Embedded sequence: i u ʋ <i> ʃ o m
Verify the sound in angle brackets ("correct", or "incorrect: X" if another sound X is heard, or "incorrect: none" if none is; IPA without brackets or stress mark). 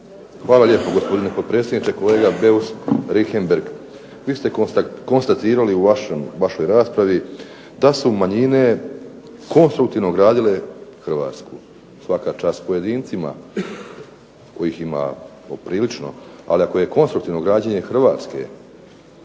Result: incorrect: a